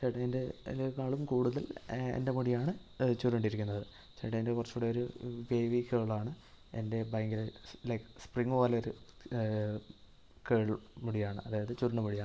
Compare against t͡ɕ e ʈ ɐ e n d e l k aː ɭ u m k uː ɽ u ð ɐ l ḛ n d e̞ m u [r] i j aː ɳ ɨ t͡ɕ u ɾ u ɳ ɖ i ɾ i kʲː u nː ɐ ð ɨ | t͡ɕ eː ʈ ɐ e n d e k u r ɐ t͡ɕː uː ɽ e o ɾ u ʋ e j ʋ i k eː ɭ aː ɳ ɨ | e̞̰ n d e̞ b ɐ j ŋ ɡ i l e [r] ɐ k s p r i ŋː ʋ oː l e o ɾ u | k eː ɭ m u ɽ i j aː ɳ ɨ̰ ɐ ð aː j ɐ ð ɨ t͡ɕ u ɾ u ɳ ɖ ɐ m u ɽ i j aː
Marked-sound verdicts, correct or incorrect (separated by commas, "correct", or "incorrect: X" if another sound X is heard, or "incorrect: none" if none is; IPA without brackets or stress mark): incorrect: ɽ, incorrect: l